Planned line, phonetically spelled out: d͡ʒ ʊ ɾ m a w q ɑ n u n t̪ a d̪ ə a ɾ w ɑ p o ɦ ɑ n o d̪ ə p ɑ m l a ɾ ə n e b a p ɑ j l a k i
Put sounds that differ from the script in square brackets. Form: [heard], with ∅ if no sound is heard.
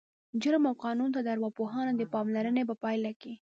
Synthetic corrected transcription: d͡ʒ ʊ ɾ m a w q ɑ n u n t̪ a d̪ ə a ɾ w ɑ p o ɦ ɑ n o d̪ ə p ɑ m l a ɾ ə n e b a p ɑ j l a k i